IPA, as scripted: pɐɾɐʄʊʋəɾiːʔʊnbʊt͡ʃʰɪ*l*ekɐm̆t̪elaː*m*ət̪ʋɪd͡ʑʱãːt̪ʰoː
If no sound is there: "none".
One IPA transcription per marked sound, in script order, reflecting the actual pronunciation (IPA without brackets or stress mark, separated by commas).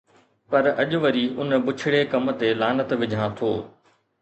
ɽ, n